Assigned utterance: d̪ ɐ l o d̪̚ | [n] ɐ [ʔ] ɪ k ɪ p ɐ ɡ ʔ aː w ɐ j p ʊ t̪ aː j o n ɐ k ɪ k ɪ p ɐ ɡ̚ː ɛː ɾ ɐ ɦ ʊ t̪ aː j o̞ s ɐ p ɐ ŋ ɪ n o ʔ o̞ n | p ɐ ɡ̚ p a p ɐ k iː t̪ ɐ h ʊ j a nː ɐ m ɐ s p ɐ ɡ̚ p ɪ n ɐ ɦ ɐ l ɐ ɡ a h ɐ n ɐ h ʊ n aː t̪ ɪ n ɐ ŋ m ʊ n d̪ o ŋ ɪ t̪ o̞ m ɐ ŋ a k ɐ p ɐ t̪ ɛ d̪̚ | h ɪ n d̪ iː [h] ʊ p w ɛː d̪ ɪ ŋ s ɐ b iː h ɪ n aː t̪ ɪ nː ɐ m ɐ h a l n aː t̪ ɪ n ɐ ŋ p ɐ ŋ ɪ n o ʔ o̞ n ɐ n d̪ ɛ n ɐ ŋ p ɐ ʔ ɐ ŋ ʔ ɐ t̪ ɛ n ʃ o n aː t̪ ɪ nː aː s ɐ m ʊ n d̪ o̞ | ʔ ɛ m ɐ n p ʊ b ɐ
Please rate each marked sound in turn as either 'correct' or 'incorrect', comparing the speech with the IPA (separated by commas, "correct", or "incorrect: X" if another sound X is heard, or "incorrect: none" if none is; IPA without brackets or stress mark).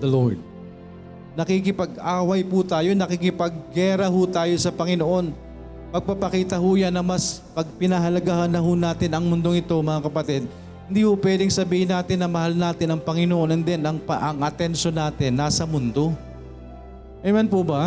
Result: correct, incorrect: k, correct